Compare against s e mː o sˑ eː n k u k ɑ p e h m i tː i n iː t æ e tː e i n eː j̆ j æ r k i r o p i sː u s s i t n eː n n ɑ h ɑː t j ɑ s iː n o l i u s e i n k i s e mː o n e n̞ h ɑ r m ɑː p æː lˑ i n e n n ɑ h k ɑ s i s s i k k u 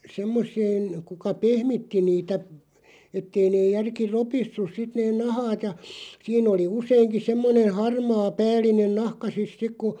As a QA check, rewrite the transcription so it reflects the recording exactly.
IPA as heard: s e mː o sˑ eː n k u k ɑ p e h m i tː i n iː t æ e tː e i n eː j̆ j æ r k i r o p i sː u s s i t n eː n n ɑ h ɑː t j ɑ s iː n o l i u s e i ŋ k i s e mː o n e n̞ h ɑ r m ɑː p æː lˑ i n e n n ɑ h k ɑ s i s s i k k u